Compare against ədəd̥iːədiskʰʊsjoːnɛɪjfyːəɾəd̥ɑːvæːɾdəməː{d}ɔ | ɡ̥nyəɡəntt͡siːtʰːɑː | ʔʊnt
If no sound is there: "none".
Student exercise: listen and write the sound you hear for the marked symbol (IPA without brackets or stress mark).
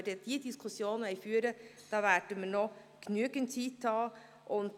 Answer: n